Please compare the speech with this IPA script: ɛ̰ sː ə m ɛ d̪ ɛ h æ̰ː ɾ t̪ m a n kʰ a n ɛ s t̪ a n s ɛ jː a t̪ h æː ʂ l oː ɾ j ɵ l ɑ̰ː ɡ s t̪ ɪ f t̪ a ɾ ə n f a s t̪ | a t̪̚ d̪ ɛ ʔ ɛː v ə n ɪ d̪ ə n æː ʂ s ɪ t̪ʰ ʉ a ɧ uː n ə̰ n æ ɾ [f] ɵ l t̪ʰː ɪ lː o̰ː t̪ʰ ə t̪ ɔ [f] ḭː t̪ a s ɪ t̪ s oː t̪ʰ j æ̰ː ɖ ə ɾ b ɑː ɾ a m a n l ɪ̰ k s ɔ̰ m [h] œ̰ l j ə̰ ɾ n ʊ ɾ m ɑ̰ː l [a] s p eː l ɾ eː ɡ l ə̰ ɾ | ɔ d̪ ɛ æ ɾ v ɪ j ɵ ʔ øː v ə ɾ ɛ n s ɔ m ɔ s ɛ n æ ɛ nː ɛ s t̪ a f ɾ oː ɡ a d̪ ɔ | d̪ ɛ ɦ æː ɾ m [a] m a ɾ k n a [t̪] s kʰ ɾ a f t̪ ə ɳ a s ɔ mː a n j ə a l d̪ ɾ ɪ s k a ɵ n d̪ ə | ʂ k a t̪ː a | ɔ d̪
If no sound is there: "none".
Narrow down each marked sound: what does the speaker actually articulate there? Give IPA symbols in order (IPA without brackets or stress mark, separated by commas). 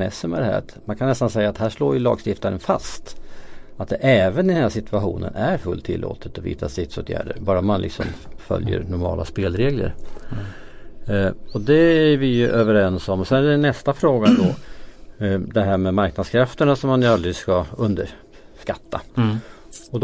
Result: f, v, f, a, ɛ, d̪